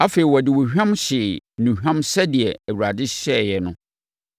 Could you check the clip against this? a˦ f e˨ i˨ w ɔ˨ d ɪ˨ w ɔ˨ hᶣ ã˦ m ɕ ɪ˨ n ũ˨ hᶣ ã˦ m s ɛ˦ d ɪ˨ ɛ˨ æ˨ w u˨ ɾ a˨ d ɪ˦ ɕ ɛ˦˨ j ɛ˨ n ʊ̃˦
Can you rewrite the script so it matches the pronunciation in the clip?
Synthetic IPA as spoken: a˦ f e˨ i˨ w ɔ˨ d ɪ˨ w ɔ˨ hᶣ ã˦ m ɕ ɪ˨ n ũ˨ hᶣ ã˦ m s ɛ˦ d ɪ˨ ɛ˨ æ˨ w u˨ ɾ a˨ d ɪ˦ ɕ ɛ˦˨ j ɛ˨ n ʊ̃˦